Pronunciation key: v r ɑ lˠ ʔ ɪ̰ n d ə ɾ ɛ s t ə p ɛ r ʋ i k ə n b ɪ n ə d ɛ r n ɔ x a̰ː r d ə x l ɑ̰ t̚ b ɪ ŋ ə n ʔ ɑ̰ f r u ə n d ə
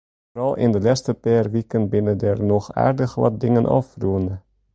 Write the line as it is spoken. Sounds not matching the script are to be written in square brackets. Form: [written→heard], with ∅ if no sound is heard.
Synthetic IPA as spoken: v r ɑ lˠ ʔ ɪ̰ n d ə [ɾ→l] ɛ s t ə p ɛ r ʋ i k ə n b ɪ n ə d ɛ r n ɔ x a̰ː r d ə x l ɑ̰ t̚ [b→d] ɪ ŋ ə n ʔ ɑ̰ f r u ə n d ə